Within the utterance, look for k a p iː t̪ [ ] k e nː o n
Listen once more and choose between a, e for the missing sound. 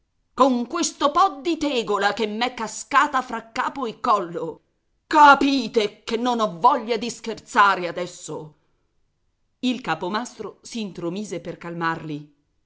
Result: e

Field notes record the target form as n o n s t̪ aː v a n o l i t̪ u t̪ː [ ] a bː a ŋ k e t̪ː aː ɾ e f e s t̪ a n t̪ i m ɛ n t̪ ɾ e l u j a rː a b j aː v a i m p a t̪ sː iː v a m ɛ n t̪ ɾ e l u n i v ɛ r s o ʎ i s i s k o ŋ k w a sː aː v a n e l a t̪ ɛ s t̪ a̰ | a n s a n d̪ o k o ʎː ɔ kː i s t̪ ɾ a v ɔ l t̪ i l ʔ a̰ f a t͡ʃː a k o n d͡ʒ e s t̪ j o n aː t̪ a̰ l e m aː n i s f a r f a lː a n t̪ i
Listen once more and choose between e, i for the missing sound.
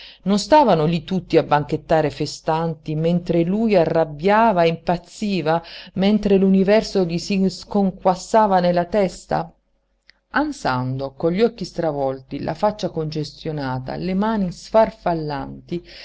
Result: i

